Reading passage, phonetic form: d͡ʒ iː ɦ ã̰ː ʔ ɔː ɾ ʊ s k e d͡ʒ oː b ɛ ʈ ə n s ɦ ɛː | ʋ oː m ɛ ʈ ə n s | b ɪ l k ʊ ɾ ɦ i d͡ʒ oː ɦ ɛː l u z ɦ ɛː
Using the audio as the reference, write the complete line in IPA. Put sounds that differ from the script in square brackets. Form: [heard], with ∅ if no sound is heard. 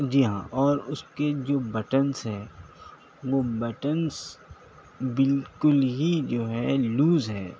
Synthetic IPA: d͡ʒ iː ɦ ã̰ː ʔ ɔː ɾ ʊ s k e d͡ʒ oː b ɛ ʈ ə n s ɦ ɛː | ʋ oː [b] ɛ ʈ ə n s | b ɪ l k ʊ [l] ɦ i d͡ʒ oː ɦ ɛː l [uː] z ɦ ɛː